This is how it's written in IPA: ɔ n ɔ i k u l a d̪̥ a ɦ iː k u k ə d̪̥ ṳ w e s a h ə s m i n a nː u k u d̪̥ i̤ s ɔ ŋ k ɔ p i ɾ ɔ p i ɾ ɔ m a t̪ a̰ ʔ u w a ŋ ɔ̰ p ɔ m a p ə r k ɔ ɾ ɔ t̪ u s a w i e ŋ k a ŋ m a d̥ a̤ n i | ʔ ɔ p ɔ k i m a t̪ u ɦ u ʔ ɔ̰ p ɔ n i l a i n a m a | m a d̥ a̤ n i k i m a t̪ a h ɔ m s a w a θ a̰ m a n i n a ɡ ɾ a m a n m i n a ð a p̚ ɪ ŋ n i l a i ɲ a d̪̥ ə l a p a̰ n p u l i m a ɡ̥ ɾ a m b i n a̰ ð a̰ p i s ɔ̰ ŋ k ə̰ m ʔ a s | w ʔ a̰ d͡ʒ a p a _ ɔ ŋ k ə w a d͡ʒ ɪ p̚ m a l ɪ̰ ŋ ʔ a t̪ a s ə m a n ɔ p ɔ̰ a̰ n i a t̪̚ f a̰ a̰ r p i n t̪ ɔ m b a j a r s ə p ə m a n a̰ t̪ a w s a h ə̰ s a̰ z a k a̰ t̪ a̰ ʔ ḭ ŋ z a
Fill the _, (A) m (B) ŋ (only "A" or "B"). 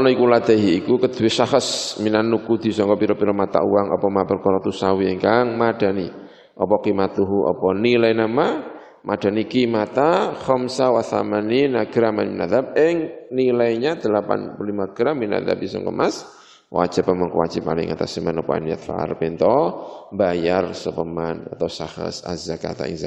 A